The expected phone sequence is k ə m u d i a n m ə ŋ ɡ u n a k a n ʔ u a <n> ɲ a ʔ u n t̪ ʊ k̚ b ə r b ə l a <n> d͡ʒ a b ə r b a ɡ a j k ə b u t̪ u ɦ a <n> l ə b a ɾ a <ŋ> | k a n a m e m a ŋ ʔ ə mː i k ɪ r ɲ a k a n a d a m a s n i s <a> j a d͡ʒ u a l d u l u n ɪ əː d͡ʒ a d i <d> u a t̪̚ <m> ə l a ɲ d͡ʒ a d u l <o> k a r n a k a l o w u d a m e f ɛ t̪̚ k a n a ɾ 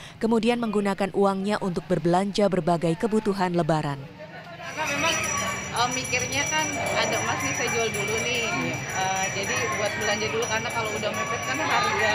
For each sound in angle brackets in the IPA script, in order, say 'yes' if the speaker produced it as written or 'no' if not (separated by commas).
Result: no, no, yes, no, yes, no, no, no